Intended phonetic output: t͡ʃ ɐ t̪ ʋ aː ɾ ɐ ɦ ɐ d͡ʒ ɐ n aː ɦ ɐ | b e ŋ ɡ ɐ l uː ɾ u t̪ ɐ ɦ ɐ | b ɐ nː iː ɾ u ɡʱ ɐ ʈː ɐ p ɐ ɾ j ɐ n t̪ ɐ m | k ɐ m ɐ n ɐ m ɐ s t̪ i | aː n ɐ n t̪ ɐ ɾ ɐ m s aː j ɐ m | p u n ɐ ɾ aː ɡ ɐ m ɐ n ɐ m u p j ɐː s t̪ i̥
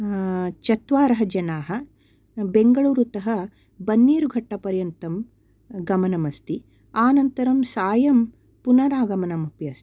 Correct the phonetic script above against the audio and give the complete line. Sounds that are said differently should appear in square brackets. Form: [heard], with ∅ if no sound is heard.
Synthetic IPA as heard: t͡ʃ ɐ t̪ ʋ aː ɾ ɐ ɦ ɐ d͡ʒ ɐ n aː ɦ ɐ | b e ŋ ɡ ɐ [ɭ] uː ɾ u t̪ ɐ ɦ ɐ | b ɐ nː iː ɾ u ɡʱ ɐ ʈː ɐ p ɐ ɾ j ɐ n t̪ ɐ m | [ɡ] ɐ m ɐ n ɐ m ɐ s t̪ i | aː n ɐ n t̪ ɐ ɾ ɐ m s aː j ɐ m | p u n ɐ ɾ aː ɡ ɐ m ɐ n ɐ m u p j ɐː s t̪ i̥